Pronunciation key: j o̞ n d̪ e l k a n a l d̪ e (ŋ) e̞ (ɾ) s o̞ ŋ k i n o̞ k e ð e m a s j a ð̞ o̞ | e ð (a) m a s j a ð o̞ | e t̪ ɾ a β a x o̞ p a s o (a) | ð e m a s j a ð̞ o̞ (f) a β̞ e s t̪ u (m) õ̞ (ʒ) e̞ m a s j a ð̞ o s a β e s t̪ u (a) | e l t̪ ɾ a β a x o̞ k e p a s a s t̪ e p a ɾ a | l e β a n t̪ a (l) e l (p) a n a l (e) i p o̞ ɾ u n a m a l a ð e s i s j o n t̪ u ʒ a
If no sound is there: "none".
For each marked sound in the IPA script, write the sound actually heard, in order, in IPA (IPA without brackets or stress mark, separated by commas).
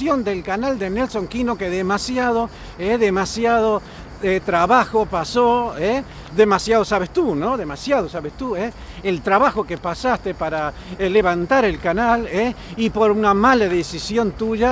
n, l, e, e, s, n, ð, e, ɾ, k, e